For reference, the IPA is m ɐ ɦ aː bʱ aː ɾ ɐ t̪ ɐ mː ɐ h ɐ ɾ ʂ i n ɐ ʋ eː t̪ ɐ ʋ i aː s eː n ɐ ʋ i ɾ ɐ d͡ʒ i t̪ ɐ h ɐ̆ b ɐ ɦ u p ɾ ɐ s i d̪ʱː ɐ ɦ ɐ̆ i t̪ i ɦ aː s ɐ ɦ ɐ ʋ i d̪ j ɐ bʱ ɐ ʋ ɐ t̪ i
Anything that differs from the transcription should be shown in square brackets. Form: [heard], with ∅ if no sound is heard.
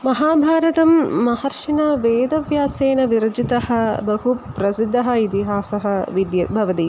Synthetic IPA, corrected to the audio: m ɐ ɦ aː bʱ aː ɾ ɐ t̪ ɐ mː ɐ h ɐ ɾ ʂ i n ɐ ʋ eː [d̪] ɐ ʋ [j] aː s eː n ɐ ʋ i ɾ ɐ d͡ʒ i t̪ ɐ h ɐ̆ b ɐ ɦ u p ɾ ɐ s i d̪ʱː ɐ ɦ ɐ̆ i t̪ i ɦ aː s ɐ ɦ ɐ ʋ i d̪ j ɐ bʱ ɐ ʋ ɐ t̪ i